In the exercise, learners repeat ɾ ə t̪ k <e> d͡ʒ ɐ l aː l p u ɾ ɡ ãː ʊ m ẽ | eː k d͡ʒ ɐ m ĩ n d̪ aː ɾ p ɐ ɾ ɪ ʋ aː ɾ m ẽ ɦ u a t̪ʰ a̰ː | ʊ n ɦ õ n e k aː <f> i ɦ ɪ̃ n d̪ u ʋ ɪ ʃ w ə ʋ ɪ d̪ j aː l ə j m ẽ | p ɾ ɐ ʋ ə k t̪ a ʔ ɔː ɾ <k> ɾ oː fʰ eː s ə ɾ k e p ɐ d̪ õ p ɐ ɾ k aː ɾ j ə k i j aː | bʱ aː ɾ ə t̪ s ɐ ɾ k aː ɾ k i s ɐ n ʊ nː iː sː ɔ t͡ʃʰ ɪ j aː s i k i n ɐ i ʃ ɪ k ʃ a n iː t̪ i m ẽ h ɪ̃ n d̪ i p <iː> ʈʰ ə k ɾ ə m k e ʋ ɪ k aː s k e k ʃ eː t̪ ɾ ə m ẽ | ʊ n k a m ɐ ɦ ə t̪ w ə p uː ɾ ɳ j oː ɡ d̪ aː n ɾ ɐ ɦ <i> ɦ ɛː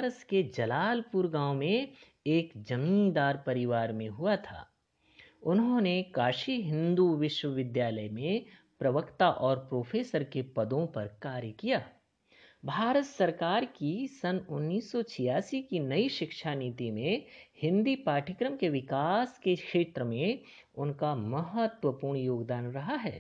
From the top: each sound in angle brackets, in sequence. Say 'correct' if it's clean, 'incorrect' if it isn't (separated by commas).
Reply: correct, incorrect, incorrect, incorrect, incorrect